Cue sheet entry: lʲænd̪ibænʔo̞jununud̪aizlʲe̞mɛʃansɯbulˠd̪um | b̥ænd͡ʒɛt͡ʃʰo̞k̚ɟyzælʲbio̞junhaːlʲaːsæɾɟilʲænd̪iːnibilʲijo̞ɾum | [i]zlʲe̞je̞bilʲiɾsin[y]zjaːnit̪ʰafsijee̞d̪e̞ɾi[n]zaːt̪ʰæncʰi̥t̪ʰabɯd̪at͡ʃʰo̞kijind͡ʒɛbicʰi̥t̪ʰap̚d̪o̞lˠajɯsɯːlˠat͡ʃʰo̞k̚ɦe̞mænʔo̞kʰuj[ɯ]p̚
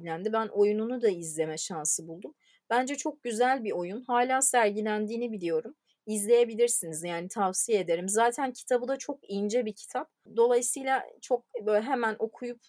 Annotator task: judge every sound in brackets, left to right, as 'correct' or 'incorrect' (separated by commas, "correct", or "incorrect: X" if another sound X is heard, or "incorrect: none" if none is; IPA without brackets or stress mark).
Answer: correct, incorrect: i, incorrect: m, incorrect: u